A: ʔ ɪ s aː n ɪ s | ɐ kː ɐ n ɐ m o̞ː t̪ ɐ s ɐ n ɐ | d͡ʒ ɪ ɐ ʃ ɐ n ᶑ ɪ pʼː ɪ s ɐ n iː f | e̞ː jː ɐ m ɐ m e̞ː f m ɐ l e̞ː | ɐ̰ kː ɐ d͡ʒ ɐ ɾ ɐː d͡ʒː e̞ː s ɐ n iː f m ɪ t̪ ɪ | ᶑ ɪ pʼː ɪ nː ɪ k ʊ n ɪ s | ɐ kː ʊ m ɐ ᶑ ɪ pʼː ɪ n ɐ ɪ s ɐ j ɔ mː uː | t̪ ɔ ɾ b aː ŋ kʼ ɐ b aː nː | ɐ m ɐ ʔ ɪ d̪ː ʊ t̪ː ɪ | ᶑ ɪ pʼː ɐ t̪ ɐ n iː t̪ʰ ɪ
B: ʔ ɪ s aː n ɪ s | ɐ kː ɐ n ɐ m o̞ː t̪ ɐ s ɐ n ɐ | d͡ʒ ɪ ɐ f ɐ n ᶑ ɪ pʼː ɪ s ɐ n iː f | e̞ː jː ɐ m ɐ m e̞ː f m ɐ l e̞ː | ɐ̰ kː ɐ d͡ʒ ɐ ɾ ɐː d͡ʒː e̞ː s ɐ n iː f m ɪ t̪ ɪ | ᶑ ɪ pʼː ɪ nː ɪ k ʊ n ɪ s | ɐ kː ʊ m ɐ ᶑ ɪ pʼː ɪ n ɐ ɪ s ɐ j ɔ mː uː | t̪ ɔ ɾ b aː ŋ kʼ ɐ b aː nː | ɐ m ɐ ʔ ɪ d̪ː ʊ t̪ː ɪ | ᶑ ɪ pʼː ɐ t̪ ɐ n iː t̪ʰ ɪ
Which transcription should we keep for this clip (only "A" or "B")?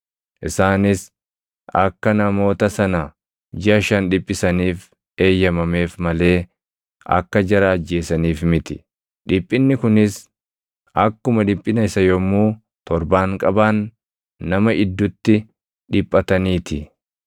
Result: A